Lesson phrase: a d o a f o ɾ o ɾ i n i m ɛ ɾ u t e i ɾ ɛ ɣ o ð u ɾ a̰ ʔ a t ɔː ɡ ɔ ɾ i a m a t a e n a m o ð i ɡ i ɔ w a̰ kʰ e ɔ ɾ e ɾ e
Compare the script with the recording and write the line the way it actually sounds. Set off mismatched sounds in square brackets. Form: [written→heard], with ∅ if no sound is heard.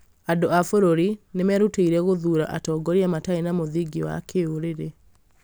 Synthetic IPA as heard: a d o a f o ɾ o ɾ i n [i→e] m ɛ ɾ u t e i ɾ ɛ ɣ o ð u ɾ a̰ ʔ a t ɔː ɡ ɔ ɾ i a m a t a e n a m o ð i ɡ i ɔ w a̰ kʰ e [ɔ→o] ɾ e ɾ e